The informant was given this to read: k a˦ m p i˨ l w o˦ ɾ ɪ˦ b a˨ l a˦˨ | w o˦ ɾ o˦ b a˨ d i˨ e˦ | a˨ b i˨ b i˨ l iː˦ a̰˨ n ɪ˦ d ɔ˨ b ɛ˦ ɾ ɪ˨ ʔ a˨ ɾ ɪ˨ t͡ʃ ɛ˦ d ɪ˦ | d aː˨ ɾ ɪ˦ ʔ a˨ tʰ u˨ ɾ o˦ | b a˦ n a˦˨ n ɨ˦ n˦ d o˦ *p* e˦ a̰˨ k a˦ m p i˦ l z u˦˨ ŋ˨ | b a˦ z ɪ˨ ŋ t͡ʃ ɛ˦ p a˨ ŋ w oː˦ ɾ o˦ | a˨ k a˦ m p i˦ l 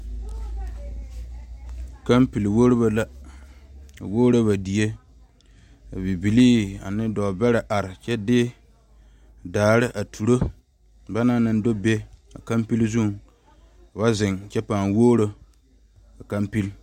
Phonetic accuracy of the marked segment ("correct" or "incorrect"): incorrect